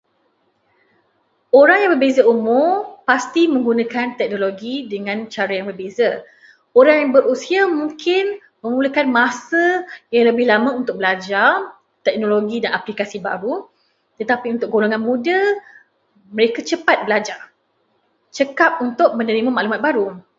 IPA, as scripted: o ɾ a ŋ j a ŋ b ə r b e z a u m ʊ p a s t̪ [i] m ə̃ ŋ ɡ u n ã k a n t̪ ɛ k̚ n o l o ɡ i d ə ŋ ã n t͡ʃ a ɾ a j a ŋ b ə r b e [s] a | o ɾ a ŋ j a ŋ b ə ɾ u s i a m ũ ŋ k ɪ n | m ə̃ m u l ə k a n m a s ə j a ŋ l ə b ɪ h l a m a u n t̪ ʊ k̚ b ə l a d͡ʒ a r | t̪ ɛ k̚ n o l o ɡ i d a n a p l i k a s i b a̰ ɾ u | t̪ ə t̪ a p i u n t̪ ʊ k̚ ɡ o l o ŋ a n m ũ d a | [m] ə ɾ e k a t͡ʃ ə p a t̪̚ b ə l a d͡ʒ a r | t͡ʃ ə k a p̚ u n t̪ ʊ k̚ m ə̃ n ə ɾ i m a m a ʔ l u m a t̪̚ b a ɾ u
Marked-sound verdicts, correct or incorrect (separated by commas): correct, incorrect, correct